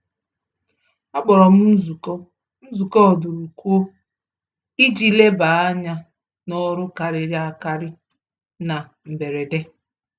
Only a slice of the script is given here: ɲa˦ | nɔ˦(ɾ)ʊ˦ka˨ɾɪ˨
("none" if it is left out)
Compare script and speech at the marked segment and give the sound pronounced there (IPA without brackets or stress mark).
ɾ